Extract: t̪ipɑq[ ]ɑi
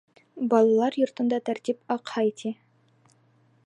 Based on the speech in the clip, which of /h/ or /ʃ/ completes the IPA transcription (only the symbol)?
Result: h